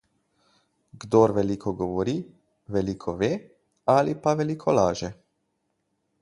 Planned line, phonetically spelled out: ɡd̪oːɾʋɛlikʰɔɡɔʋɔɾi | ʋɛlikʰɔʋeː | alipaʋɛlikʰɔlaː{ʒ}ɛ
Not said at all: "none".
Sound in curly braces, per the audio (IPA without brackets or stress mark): ʒ